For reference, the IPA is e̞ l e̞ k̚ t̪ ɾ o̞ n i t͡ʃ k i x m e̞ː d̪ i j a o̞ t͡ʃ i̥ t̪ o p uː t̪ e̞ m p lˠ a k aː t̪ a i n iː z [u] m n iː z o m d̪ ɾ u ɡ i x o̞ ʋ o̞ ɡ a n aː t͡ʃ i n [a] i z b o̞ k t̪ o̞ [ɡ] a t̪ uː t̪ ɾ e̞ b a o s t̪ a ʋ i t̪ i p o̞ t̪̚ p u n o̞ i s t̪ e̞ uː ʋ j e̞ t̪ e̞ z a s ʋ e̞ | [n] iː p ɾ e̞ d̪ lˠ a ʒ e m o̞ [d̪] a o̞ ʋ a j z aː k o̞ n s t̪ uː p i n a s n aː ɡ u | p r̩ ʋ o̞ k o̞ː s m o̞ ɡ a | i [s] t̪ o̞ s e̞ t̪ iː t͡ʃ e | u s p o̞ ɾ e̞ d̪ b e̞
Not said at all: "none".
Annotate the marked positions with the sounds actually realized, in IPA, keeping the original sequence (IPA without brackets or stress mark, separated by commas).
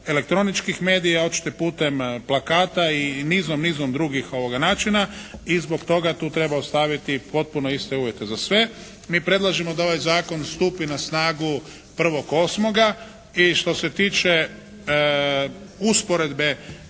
o, a, ɡ, m, d̪, ʃ